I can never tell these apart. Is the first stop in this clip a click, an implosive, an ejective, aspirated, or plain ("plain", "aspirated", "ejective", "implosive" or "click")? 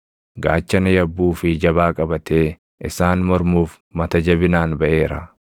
plain